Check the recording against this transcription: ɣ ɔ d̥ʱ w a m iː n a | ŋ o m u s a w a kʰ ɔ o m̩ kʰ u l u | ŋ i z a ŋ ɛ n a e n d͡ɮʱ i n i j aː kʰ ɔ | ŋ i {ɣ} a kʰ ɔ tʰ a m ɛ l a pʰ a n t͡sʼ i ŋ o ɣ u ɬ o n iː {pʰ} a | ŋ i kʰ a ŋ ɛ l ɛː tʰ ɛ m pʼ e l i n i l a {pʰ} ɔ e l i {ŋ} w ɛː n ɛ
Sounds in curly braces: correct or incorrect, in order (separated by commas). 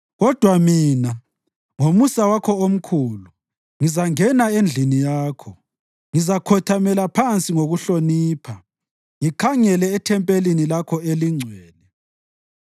incorrect, correct, incorrect, incorrect